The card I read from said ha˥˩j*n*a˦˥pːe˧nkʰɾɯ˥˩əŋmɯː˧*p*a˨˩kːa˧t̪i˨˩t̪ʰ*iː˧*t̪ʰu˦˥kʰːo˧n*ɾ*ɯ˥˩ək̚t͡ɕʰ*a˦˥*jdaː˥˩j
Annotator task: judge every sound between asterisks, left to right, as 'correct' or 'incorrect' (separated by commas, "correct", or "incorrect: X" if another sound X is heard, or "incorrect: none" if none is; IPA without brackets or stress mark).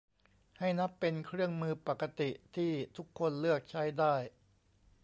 correct, correct, incorrect: iː˥˩, incorrect: l, correct